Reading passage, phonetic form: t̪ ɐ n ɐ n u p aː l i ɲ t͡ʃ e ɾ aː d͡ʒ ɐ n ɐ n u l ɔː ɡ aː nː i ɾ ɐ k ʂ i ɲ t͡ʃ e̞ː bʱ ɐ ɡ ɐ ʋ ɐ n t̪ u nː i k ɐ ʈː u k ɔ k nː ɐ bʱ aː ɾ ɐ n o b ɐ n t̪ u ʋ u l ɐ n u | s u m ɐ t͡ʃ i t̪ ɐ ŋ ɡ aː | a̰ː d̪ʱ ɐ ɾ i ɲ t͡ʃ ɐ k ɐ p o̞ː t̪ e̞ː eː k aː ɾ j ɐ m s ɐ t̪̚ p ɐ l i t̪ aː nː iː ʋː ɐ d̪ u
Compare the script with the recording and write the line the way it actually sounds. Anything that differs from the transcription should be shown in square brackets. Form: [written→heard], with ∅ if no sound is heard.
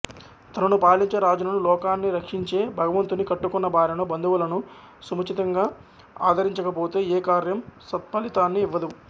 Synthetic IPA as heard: t̪ ɐ n ɐ n u p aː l i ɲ t͡ʃ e ɾ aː d͡ʒ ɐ n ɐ n u l ɔː [ɡ→k] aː nː i ɾ ɐ k ʂ i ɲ t͡ʃ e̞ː bʱ ɐ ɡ ɐ ʋ ɐ n t̪ u [nː→n] i k ɐ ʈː u k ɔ [k→∅] nː ɐ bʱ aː ɾ ɐ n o b ɐ n [t̪→d̪] u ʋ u l ɐ n u | s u m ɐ t͡ʃ i t̪ ɐ ŋ ɡ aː | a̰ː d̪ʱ ɐ ɾ i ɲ t͡ʃ ɐ k ɐ p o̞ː t̪ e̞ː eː k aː ɾ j ɐ m s ɐ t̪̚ p ɐ l i t̪ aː nː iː ʋː ɐ d̪ u